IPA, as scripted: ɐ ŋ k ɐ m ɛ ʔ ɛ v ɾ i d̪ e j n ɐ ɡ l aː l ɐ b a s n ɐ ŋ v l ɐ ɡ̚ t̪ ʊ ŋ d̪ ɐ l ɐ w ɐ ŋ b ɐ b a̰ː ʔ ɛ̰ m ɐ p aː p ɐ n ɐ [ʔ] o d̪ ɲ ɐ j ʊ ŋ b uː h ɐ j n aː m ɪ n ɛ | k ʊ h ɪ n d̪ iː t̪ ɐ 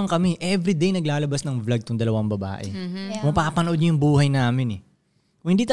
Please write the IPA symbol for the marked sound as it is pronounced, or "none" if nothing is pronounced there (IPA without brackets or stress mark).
ʔ